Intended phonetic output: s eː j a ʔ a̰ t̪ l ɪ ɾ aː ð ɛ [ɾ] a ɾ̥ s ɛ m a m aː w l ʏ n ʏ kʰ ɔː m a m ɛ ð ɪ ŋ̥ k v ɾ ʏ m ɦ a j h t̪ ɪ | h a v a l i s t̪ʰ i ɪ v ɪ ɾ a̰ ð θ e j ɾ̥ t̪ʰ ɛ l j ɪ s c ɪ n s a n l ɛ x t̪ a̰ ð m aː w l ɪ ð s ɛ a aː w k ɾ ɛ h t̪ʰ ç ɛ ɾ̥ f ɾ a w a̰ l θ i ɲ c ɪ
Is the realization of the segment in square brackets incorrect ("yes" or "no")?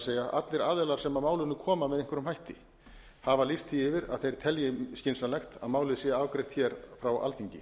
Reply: yes